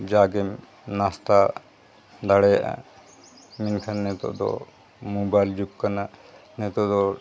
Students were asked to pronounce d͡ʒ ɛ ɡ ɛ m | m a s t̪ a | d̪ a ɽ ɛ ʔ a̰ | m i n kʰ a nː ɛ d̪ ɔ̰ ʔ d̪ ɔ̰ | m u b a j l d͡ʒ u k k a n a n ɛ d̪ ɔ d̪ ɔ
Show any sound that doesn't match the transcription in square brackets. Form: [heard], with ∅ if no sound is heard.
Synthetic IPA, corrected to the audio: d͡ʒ [a] ɡ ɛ m | [n] a s t̪ a | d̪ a ɽ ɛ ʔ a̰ | m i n kʰ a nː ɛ [t̪] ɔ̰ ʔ d̪ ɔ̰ | m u b a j l d͡ʒ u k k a n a n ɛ [t̪] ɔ d̪ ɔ